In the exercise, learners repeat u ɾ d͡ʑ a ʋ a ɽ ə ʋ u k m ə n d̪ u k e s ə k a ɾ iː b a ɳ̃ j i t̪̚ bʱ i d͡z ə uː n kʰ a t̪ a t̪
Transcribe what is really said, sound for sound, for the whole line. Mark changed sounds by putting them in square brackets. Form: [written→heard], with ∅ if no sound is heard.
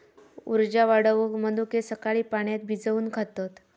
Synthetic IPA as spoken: u ɾ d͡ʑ a ʋ a ɽ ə ʋ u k m ə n d̪ u k e s ə k a [ɾ→ɭ] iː [b→p] a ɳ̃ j [i→a] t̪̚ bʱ i d͡z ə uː n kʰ a t̪ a t̪